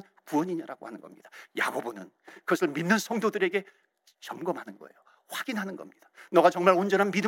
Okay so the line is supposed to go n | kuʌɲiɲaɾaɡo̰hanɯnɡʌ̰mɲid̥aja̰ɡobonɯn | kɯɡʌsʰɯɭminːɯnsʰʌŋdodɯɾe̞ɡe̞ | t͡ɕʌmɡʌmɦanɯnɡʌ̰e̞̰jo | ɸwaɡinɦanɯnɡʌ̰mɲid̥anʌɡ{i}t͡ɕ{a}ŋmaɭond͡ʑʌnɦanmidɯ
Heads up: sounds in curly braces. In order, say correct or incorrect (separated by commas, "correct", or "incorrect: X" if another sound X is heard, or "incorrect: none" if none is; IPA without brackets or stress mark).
incorrect: a, incorrect: ʌ